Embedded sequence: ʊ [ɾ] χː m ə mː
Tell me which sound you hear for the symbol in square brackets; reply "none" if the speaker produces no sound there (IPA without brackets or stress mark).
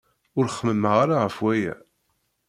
ɾ